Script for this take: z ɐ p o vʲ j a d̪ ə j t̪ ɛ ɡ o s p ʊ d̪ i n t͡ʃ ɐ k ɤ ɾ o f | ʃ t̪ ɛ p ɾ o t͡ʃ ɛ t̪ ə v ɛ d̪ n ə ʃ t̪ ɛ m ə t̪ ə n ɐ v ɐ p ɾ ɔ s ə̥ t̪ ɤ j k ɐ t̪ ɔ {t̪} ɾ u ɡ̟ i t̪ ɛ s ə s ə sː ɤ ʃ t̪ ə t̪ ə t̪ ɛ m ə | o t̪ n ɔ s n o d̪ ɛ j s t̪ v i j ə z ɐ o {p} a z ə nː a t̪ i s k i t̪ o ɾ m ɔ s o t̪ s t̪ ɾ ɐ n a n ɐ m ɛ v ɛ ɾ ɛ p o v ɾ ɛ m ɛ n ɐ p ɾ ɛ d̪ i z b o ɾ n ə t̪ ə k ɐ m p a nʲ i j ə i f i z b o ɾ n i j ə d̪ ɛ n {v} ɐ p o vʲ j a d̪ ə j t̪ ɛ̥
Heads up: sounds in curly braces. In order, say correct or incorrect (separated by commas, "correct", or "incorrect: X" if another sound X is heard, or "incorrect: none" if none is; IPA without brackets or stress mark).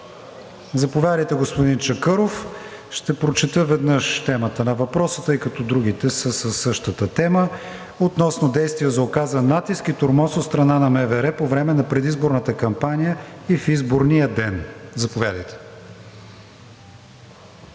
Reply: incorrect: d̪, incorrect: k, incorrect: z